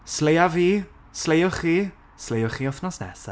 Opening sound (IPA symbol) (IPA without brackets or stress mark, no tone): s